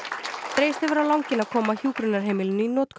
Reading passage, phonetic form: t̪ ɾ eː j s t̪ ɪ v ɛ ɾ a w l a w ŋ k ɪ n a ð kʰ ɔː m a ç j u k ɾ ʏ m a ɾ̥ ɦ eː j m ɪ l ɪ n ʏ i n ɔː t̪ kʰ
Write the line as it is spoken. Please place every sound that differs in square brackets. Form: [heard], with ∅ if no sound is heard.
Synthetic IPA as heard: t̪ ɾ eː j s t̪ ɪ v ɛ ɾ a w l a w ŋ [c] ɪ n a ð kʰ ɔː m a ç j [uː] k ɾ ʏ [n] a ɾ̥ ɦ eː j m ɪ l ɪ n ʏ i n ɔː t̪ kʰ